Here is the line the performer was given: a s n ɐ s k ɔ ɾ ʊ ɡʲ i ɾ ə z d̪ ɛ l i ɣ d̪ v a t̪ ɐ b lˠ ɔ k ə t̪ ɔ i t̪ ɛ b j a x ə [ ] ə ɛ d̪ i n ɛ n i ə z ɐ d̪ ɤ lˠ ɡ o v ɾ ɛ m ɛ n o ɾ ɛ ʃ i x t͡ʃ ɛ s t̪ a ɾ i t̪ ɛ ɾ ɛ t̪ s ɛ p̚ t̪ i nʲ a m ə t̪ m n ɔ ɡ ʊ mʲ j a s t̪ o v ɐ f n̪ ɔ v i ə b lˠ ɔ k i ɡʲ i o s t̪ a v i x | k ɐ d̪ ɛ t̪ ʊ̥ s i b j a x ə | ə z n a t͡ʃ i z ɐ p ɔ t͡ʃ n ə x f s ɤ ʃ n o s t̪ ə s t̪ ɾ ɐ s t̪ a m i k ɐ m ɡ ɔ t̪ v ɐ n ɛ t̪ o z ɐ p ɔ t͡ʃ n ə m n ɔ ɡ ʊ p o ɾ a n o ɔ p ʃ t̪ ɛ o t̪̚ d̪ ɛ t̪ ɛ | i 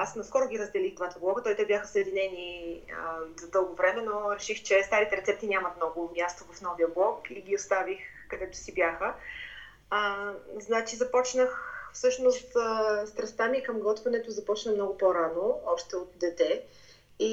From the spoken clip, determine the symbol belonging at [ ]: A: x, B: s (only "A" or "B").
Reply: B